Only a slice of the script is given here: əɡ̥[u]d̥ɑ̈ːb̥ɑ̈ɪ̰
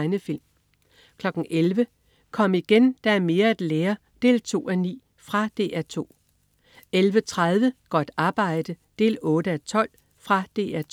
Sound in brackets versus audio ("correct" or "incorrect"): incorrect